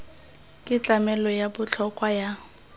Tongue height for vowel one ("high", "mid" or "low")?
high